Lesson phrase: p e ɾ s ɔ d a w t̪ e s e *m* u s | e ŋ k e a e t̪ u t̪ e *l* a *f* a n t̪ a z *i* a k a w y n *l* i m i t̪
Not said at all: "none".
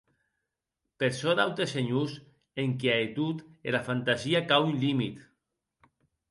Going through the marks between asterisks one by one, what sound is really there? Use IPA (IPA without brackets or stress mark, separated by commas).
ɲ, l, f, i, l